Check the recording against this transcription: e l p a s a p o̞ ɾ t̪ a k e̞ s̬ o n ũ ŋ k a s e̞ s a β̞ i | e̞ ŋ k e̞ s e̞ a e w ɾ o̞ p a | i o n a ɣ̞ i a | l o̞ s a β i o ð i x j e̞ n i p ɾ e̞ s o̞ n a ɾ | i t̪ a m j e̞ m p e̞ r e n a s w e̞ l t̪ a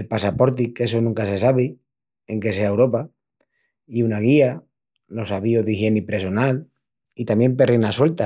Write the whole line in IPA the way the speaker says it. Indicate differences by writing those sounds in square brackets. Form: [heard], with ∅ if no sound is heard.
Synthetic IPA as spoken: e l p a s a p o̞ ɾ t̪ [i] k e̞ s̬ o n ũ ŋ k a s e̞ s a β̞ i | e̞ ŋ k e̞ s e̞ a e w ɾ o̞ p a | i [u] n a ɣ̞ i a | l o̞ s a β i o ð i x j e̞ n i p ɾ e̞ s o̞ n a [l] | i t̪ a m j e̞ m p e̞ r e n a s w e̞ l t̪ a